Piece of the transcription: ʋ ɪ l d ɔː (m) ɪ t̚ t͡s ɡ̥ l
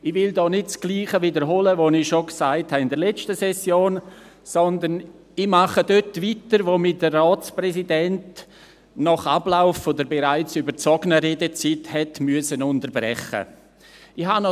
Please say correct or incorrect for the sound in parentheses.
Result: incorrect: n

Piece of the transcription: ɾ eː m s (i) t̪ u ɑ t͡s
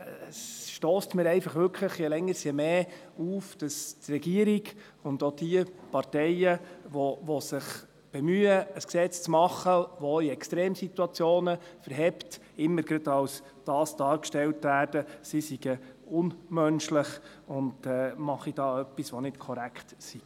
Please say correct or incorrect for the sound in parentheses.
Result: correct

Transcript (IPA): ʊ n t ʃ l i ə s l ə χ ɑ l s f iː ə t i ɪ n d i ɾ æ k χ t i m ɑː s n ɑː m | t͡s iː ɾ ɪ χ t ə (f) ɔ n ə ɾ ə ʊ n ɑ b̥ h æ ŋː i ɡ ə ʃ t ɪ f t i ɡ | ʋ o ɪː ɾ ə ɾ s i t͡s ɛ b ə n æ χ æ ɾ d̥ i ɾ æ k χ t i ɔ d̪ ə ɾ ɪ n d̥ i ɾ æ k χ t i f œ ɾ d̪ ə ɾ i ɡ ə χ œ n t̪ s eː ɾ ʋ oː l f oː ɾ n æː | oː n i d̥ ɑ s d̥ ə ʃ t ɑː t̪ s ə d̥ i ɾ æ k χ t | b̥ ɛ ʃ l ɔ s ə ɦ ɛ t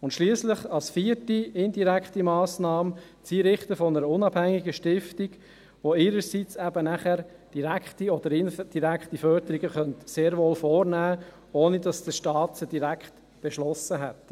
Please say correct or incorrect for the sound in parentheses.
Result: correct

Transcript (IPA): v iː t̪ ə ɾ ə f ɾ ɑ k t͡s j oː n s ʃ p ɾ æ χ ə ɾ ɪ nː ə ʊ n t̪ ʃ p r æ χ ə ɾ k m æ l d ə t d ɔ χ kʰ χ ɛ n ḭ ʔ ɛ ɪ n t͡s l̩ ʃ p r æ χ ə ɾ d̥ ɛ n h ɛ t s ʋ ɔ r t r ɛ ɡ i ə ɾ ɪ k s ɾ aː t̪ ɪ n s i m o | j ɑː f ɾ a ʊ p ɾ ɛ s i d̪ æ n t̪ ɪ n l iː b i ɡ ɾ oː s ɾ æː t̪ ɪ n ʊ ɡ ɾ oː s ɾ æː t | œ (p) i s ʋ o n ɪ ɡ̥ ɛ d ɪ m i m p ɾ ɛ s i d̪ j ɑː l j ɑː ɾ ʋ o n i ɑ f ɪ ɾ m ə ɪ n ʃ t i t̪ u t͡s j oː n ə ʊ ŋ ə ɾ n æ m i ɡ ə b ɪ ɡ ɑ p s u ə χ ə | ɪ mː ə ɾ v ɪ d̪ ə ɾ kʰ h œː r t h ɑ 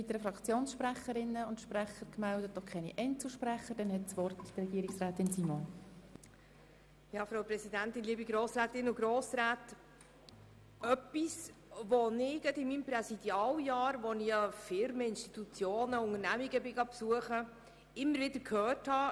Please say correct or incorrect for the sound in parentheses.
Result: correct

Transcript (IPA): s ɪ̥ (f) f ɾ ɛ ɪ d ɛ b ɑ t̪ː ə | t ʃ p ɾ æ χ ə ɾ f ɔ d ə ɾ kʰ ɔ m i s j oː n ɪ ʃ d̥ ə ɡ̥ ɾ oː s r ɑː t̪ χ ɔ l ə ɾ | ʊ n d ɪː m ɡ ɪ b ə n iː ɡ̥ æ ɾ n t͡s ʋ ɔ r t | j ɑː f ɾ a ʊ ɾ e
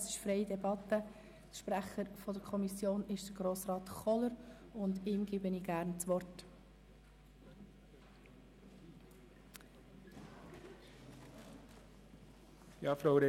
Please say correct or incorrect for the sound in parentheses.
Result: incorrect: ʃ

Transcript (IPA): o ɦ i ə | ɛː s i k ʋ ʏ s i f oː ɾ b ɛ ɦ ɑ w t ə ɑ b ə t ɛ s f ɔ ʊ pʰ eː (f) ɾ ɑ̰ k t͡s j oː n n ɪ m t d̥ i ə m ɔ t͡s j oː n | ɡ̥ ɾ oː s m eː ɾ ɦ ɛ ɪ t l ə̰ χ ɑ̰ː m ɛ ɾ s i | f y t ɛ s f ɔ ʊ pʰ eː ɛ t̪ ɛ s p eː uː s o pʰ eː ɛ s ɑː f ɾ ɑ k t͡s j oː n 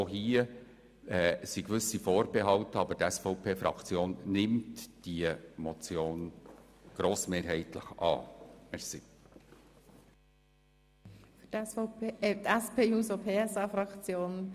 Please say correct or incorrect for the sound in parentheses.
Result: correct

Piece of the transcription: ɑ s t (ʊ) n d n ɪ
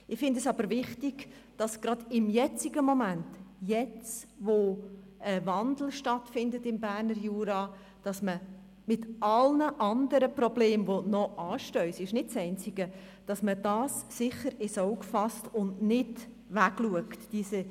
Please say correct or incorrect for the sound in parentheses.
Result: correct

